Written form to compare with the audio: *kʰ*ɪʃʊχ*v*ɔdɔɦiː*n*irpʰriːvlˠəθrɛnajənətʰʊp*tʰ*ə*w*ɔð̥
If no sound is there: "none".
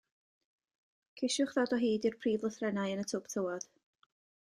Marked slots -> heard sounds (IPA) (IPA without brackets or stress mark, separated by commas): kʰ, ð, d, tʰ, w